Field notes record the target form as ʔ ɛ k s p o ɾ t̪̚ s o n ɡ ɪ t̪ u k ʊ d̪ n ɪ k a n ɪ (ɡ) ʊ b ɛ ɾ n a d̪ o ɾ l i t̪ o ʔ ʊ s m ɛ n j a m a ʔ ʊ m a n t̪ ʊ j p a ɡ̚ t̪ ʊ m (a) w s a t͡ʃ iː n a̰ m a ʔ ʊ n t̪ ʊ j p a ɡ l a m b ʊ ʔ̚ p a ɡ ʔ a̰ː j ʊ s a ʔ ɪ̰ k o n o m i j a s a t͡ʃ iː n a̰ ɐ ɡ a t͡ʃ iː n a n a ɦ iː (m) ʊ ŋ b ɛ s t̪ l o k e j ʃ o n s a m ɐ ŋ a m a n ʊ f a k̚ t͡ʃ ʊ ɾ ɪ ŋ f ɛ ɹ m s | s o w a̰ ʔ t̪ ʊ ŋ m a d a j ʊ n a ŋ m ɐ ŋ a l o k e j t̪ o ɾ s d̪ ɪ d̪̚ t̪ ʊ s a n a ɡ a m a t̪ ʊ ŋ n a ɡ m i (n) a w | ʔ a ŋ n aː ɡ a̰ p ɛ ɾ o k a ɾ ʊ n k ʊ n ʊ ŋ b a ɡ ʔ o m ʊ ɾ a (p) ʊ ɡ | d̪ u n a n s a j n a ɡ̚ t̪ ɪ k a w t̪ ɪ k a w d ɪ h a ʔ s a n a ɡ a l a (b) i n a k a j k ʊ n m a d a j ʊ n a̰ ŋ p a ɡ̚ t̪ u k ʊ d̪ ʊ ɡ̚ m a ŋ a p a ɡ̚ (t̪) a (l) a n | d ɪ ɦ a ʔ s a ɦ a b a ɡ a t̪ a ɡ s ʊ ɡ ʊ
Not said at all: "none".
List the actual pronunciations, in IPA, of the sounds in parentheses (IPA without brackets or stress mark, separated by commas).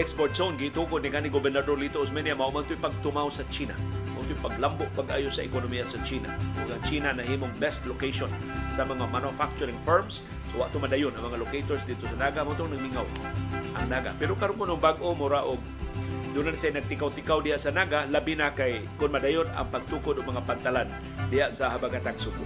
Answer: ɡ, a, m, ŋ, ʔ, b, t̪, l